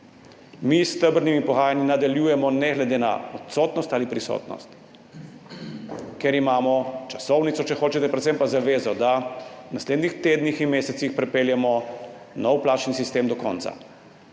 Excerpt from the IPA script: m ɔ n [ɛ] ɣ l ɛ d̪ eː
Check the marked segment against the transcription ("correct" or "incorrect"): correct